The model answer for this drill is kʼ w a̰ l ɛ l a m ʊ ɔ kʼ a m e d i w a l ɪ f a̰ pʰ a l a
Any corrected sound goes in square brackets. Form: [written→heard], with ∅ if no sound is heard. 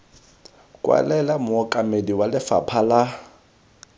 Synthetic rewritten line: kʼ w a̰ l ɛ l a m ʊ ɔ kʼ a m e d i w a l ɪ f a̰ pʰ a l a